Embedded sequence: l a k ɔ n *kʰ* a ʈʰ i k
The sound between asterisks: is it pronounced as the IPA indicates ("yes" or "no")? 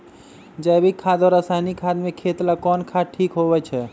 yes